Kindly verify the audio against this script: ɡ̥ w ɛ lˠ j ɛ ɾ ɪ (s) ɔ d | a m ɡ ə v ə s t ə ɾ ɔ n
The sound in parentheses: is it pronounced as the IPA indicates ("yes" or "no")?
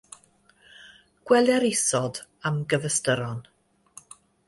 yes